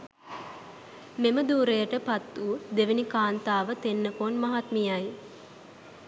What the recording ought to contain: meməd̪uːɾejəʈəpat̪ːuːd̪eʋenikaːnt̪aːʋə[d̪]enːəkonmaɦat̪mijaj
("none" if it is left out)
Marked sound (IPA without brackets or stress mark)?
t̪